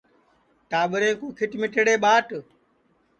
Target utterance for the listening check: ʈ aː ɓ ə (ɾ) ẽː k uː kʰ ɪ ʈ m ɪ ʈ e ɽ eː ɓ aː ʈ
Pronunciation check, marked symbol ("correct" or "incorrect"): correct